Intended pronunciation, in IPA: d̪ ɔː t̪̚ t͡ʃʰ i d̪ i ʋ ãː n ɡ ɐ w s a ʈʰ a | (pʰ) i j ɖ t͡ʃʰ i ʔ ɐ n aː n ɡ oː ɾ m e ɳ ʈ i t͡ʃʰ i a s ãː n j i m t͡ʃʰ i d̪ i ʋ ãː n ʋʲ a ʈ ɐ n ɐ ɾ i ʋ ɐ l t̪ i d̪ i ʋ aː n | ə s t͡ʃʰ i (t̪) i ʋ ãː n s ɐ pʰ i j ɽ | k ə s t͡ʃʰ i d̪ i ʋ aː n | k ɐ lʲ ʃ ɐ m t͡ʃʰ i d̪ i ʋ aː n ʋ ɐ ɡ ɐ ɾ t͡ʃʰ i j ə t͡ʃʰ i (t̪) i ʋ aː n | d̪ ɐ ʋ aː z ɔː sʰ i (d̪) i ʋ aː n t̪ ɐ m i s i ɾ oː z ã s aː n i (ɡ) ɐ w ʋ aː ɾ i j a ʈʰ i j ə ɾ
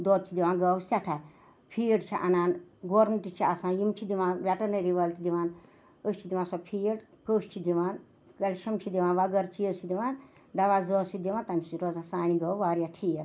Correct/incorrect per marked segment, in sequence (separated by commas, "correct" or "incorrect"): correct, incorrect, incorrect, correct, correct